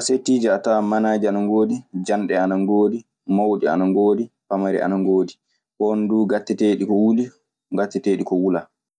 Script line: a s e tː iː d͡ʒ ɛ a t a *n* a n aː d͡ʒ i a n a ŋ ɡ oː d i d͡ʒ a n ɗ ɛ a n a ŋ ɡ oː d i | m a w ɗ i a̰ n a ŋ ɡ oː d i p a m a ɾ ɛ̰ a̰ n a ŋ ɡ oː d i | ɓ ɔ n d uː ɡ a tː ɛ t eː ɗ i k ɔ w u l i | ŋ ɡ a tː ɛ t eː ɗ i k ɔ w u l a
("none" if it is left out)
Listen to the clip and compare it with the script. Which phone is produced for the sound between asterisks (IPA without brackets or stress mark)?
m